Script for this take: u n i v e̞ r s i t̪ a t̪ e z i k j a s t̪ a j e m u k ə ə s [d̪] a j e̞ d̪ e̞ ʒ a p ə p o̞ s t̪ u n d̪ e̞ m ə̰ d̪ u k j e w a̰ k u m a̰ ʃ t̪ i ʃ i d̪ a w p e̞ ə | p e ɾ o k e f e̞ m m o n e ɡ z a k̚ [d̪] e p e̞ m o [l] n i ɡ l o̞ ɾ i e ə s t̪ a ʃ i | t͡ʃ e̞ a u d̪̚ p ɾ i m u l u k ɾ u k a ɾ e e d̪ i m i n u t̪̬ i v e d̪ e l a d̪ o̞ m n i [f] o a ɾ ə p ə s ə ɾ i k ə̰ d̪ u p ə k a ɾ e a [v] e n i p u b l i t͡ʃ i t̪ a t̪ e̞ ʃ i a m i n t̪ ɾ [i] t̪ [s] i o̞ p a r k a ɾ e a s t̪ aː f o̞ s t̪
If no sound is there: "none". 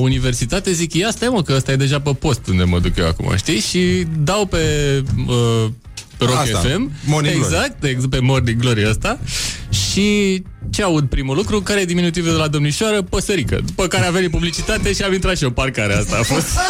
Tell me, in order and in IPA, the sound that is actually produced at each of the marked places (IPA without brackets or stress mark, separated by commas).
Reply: t̪, t̪, r, ʃ, v, a, ʃ